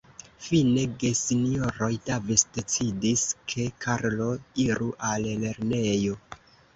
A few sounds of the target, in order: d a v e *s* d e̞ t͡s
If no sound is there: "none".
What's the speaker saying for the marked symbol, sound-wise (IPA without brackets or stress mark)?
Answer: s